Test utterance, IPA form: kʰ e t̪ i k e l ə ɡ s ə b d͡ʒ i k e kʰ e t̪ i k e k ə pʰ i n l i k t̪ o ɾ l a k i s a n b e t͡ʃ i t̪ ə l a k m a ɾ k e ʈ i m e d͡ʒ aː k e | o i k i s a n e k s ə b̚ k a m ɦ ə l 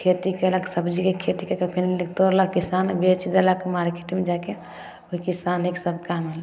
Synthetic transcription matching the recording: kʰ e t̪ i k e l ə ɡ s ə b d͡ʒ i k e kʰ e t̪ i k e k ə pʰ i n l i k t̪ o ɾ l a k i s a n b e t͡ʃ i d̪ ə l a k m a ɾ k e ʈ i m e d͡ʒ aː k e | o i k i s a n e k s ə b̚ k a m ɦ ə l